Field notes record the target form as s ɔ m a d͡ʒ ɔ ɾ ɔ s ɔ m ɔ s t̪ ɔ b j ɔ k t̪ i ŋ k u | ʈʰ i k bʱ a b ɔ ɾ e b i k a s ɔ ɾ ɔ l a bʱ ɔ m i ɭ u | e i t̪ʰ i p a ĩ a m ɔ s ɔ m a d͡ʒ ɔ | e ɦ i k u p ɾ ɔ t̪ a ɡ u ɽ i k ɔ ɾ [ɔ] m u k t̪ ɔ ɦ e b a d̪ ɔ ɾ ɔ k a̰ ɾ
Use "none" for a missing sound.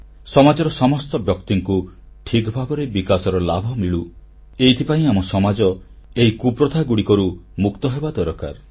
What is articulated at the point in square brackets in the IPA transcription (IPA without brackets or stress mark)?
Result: u